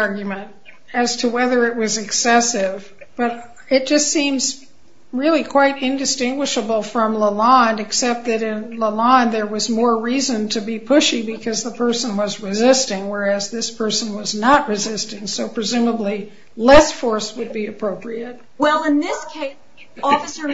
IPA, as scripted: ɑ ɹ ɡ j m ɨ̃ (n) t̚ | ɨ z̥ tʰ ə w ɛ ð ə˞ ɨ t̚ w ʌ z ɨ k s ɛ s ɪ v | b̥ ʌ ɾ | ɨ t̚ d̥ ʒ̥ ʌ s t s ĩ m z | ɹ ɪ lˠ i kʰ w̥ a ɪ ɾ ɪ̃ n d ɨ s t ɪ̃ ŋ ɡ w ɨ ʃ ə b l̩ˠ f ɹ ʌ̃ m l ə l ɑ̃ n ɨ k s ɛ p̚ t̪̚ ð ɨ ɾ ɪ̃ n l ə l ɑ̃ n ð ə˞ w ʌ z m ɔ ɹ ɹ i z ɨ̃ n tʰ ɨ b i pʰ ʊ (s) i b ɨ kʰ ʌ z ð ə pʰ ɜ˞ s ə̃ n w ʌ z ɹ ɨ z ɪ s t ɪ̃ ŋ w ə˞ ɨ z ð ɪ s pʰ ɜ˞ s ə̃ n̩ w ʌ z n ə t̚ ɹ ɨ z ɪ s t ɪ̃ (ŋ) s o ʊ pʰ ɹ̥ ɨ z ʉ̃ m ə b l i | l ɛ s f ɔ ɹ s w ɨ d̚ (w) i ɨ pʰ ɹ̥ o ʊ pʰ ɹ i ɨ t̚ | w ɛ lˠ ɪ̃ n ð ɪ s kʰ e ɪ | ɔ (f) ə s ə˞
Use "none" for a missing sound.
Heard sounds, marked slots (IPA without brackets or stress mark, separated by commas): n, ʃ, ŋ, b, f